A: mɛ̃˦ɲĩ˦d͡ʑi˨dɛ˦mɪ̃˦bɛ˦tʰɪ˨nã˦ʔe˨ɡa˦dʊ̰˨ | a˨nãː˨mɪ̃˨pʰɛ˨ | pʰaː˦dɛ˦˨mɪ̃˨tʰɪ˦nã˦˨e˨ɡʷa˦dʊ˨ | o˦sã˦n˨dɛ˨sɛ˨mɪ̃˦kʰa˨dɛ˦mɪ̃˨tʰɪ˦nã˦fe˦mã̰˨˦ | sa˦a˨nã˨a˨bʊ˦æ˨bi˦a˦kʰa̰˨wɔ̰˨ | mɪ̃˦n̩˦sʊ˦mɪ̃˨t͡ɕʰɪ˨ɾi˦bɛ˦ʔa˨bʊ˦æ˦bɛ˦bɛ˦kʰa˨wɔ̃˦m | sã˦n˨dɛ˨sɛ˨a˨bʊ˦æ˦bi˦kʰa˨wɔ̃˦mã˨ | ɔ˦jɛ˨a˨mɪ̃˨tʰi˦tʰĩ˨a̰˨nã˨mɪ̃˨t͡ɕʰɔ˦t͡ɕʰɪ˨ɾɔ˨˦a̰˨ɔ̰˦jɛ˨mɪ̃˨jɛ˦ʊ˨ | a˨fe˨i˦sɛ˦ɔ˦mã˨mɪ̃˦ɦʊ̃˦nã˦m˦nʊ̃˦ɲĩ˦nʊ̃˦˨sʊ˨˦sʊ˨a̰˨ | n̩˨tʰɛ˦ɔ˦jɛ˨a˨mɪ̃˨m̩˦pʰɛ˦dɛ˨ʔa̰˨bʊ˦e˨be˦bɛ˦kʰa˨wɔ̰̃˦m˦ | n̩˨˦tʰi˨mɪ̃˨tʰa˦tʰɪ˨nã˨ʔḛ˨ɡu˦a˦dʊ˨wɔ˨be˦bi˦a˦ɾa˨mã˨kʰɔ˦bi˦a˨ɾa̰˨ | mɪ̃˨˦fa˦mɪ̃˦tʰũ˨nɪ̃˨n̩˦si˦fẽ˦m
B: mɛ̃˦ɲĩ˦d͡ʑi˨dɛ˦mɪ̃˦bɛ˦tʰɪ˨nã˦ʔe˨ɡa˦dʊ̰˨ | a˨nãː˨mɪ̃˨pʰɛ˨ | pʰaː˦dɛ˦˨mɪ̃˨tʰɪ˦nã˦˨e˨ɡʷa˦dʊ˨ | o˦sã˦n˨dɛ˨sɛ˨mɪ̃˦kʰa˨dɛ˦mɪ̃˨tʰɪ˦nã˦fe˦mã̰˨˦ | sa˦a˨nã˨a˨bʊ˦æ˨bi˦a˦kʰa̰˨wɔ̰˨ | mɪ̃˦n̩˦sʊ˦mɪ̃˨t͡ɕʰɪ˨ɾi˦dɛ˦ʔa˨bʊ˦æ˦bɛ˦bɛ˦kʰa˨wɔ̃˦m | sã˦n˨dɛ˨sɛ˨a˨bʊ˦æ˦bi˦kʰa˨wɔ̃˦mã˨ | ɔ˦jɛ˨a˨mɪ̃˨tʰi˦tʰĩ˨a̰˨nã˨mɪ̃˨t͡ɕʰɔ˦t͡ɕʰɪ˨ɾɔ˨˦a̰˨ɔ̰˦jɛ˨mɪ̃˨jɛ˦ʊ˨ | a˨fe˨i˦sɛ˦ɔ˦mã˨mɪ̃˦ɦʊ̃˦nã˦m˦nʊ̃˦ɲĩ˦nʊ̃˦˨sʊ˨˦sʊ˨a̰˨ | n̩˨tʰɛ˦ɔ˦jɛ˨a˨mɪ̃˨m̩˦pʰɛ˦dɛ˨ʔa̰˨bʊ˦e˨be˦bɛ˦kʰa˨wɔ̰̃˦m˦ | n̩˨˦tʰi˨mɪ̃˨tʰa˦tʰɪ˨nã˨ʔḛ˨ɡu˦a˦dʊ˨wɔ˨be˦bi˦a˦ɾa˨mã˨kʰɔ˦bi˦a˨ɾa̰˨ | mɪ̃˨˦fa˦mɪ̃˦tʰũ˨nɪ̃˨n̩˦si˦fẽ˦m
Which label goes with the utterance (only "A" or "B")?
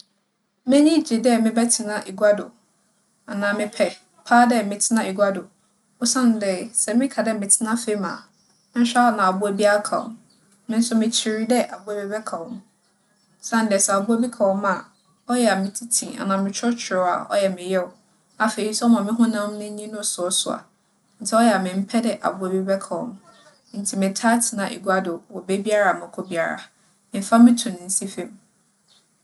B